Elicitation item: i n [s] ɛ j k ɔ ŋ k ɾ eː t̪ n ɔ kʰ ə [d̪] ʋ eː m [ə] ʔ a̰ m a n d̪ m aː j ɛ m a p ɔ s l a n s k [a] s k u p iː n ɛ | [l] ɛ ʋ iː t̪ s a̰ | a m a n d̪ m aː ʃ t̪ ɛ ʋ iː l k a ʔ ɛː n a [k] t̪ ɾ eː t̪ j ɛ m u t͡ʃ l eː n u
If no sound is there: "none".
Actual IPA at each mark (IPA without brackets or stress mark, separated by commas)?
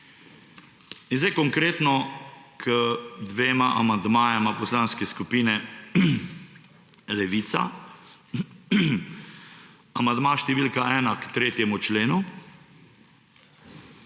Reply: z, d̪, a, ɛ, l, k